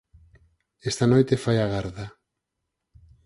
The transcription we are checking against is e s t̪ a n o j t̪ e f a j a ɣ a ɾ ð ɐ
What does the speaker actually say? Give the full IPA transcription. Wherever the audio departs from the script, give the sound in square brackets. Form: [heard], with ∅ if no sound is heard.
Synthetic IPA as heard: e s t̪ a n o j t̪ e f a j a ɣ a ɾ ð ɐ